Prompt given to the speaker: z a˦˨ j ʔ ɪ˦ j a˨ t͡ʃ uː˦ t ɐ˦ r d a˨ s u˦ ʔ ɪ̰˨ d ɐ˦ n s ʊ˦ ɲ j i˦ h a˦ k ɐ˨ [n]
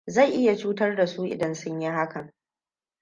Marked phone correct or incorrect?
incorrect